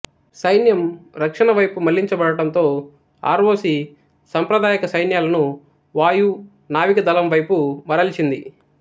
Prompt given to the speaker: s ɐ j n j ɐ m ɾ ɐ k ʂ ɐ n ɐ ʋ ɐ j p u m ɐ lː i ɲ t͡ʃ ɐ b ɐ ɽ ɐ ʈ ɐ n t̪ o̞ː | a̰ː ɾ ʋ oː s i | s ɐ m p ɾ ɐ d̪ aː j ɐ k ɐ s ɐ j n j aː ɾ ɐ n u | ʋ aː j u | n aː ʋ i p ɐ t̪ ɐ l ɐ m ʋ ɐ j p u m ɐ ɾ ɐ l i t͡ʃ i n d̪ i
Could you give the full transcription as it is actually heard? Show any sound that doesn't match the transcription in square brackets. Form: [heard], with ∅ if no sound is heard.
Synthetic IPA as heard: s ɐ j n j ɐ m ɾ ɐ k ʂ ɐ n ɐ ʋ ɐ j p u m ɐ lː i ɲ t͡ʃ ɐ b ɐ ɽ ɐ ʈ ɐ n t̪ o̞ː | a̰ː ɾ ʋ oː s i | s ɐ m p ɾ ɐ d̪ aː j ɐ k ɐ s ɐ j n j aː [l] ɐ n u | ʋ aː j u | n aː ʋ i [k] ɐ [d̪] ɐ l ɐ m ʋ ɐ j p u m ɐ ɾ ɐ l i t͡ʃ i n d̪ i